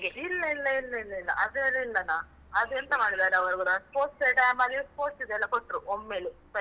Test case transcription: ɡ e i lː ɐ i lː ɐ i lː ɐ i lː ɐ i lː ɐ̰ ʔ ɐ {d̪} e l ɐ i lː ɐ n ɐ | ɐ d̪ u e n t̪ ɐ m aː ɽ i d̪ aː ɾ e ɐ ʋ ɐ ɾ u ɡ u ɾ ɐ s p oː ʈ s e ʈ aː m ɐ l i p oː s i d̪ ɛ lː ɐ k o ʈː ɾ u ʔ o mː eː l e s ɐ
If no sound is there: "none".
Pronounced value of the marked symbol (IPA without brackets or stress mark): d̪